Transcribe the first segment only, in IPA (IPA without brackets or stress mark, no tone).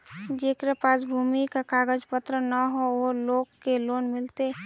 d͡ʒ